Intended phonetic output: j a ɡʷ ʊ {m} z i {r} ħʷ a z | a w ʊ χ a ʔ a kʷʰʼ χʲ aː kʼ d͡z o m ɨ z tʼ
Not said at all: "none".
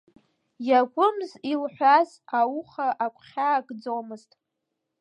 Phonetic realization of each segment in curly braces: m, l

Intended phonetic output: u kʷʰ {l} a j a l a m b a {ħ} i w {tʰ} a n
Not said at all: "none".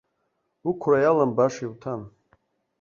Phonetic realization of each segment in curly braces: r, ʂ, tʰ

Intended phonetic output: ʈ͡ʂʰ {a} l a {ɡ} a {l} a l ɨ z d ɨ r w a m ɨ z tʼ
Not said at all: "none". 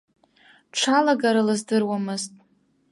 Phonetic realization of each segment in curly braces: a, ɡ, ɾ

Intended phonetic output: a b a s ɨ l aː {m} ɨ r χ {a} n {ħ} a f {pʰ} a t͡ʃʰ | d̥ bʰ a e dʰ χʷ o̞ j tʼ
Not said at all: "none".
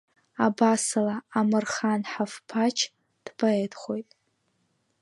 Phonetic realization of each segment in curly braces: m, a, ħ, pʰ

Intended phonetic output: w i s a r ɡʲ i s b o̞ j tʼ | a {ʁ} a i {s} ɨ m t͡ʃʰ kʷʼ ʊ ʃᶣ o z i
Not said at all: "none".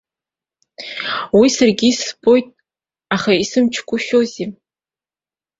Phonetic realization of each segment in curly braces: χ, s

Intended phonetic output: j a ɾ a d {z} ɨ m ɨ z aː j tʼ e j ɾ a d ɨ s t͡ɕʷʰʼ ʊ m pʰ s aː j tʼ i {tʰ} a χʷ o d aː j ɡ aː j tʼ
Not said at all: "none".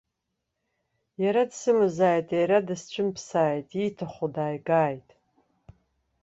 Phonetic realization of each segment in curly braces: s, tʰ

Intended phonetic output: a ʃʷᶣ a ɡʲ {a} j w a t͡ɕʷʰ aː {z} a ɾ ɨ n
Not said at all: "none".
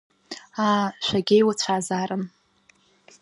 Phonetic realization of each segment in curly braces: e, z

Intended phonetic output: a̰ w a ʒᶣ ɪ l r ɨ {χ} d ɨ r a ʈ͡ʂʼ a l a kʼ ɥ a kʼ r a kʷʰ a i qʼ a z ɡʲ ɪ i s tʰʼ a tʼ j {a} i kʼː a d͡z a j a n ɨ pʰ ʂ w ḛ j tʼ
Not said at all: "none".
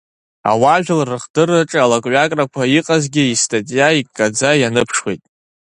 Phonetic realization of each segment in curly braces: χ, a

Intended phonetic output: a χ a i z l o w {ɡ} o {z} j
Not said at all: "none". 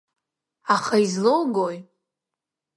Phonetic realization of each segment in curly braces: ɡ, none

